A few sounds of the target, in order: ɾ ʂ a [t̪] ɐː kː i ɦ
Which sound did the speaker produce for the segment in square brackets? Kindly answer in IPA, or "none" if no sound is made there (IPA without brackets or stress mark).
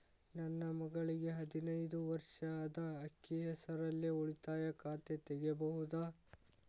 d̪